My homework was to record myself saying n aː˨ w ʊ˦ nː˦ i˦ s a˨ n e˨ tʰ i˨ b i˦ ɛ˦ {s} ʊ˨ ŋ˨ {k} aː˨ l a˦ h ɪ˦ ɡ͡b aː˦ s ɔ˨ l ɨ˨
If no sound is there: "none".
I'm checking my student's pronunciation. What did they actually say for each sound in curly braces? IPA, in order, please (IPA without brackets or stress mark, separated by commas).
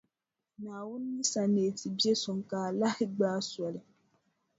s, k